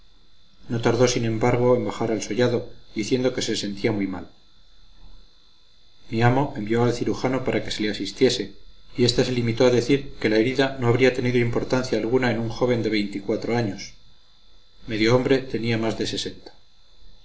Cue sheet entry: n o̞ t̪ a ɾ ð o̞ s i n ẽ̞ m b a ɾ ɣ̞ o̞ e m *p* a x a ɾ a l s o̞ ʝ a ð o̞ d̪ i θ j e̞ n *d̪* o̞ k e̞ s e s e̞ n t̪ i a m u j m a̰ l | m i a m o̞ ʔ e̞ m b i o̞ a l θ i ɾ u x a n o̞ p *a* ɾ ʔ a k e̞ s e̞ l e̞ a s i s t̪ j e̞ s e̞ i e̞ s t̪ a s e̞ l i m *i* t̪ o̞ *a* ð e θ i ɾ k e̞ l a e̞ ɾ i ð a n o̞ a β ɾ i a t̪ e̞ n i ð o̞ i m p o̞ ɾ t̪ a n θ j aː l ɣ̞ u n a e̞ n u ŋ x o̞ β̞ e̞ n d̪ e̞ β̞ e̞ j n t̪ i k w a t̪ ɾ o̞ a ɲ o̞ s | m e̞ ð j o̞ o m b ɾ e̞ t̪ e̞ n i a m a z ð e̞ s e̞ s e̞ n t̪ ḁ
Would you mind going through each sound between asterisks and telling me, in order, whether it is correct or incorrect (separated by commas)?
incorrect, correct, correct, correct, correct